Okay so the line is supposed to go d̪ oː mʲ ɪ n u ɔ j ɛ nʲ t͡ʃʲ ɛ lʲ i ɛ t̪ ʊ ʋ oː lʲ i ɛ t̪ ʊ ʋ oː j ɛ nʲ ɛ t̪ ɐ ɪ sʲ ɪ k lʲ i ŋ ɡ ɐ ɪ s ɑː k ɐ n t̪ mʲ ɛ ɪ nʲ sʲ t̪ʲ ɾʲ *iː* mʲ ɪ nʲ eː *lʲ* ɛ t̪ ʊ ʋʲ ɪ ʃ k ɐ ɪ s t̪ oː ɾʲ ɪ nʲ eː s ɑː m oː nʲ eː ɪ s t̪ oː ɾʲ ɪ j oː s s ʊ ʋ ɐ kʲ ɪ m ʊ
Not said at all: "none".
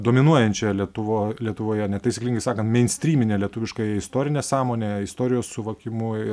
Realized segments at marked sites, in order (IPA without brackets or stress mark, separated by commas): iː, lʲ